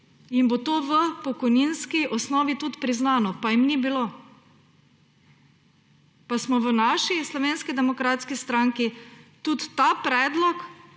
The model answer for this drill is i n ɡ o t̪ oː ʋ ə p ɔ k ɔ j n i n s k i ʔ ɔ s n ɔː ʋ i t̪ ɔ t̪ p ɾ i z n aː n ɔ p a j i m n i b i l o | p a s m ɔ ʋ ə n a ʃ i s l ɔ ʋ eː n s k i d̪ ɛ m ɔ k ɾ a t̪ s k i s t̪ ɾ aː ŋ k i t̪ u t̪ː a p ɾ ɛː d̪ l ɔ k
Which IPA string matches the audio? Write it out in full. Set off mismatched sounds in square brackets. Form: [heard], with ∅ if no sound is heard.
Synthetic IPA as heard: i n [b] o t̪ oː ʋ ə p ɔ k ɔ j n i n s k i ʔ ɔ s n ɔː ʋ i t̪ [u] t̪ p ɾ i z n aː n ɔ p a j i m n i b i l o | p a s m ɔ ʋ ə n a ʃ i s l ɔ ʋ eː n s k i d̪ ɛ m ɔ k ɾ a t̪ s k i s t̪ ɾ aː ŋ k i t̪ u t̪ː a p ɾ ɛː d̪ l ɔ k